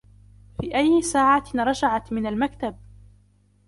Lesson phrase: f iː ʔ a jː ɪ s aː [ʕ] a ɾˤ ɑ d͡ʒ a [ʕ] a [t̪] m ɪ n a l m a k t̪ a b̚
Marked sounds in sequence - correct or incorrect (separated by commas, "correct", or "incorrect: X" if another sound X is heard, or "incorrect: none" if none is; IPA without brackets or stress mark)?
correct, correct, correct